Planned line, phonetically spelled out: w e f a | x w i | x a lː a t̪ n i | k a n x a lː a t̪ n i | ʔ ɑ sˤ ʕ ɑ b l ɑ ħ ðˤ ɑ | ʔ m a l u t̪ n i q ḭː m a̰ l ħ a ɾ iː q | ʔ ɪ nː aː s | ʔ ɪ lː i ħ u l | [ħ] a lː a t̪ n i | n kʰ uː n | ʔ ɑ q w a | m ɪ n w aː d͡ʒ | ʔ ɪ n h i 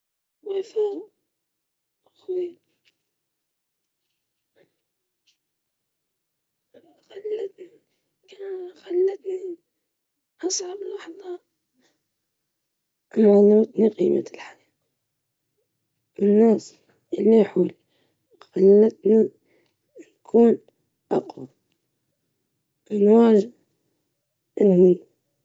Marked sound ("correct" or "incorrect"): incorrect